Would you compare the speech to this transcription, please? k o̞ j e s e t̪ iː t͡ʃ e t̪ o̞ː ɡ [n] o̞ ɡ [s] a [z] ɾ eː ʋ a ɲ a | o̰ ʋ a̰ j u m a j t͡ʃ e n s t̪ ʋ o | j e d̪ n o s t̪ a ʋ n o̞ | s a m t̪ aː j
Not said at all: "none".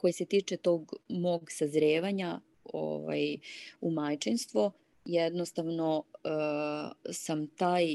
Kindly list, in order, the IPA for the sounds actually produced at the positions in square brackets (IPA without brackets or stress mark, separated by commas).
m, s, z